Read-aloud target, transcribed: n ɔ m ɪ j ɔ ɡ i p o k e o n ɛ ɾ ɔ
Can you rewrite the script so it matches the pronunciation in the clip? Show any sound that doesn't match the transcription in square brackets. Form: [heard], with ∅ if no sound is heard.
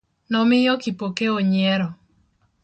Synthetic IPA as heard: n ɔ m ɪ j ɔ [k] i p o k e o [ɲ] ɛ ɾ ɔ